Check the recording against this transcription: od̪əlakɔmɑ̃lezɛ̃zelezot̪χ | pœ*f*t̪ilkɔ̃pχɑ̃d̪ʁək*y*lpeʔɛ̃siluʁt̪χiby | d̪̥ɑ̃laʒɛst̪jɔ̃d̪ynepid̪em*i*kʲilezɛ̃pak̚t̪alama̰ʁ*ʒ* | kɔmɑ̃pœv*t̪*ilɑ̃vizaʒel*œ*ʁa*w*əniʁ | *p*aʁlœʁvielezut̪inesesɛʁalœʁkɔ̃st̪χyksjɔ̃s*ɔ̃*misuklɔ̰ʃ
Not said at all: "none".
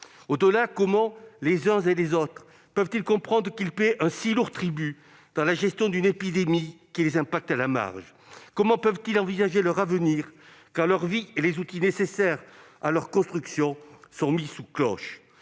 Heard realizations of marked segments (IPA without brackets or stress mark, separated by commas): v, i, i, ʒ, t̪, œ, v, k, ɔ̃